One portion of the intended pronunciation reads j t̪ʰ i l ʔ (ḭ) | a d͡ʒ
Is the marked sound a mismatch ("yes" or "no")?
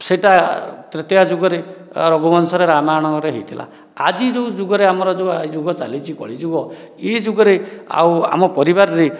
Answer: yes